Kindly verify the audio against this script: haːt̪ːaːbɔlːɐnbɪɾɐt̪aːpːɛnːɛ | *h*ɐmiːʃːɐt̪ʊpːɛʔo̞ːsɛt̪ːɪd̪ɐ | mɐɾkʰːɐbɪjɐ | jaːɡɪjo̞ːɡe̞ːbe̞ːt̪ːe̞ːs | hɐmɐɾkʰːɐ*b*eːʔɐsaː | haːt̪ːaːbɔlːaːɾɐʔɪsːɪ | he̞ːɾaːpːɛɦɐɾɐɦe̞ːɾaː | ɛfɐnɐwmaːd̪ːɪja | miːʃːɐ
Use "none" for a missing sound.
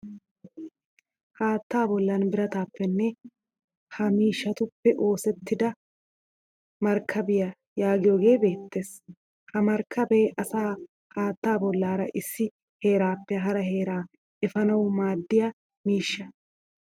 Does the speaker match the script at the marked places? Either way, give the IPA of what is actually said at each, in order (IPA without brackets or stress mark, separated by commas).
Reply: h, b